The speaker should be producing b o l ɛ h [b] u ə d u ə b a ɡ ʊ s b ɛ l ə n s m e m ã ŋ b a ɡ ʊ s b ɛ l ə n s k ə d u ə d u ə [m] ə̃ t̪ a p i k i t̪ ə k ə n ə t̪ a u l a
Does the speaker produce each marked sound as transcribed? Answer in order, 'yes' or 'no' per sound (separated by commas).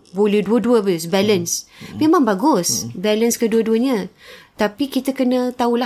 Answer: no, no